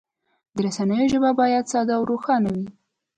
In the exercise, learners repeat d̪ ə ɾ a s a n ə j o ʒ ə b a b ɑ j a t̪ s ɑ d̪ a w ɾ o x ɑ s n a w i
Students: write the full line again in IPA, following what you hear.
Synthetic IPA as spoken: d̪ ə ɾ a s a n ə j o ʒ ə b a b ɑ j a d̪ s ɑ d̪ a w ɾ o x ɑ n a w i